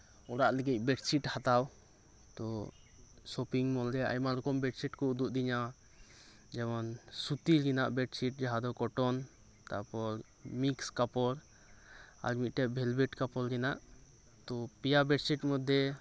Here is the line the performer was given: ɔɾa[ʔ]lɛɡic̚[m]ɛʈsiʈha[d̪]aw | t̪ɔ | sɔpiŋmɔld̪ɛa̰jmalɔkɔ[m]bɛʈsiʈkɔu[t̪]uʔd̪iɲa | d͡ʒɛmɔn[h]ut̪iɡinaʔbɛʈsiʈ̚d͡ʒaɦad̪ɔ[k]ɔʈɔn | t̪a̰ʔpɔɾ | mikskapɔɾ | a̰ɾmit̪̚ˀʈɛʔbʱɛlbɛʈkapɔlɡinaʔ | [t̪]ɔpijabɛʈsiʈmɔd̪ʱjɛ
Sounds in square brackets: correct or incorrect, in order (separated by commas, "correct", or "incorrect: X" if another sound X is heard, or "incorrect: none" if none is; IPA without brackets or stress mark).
correct, incorrect: b, incorrect: t̪, correct, incorrect: d̪, incorrect: s, correct, correct